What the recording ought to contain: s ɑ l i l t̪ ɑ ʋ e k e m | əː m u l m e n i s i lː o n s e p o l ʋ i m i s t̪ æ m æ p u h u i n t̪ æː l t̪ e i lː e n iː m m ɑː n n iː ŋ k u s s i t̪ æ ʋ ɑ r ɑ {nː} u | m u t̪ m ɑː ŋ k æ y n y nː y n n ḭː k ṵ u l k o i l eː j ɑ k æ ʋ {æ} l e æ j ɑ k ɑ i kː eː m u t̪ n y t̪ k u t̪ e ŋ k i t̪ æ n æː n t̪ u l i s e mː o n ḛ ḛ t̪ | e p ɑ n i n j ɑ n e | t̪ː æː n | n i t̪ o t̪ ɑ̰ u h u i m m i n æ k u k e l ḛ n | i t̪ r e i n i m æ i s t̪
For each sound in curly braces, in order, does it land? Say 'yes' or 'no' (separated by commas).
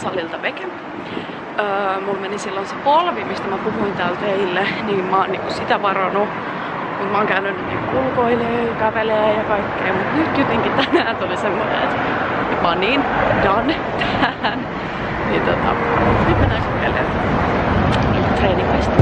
no, no